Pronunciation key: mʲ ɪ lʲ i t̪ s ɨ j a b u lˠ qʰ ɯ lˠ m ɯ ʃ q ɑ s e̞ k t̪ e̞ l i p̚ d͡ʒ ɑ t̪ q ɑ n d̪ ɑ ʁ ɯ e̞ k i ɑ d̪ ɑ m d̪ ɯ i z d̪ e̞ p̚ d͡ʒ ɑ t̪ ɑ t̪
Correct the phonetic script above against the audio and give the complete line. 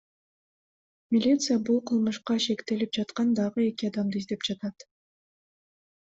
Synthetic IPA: mʲ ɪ lʲ i t̪ s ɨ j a b u lˠ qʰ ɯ lˠ m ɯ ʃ q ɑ ʃ e̞ k t̪ e̞ l i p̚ d͡ʒ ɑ t̪ q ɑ n d̪ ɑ ʁ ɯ e̞ k i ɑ d̪ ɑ m d̪ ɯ i z d̪ e̞ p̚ d͡ʒ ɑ t̪ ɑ t̪